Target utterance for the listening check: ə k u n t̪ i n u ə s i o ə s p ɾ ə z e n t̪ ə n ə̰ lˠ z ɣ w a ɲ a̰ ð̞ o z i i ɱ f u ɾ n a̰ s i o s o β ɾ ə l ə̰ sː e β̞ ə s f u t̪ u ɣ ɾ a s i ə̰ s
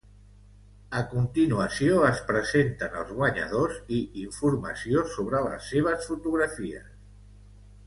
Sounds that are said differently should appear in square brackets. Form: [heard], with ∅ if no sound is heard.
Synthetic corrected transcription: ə k u n t̪ i n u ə s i o ə s p ɾ ə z e n t̪ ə n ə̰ lˠ z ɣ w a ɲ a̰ ð̞ o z i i ɱ f u ɾ [m] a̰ s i o s o β ɾ ə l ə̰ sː e β̞ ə s f u t̪ u ɣ ɾ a [f] i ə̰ s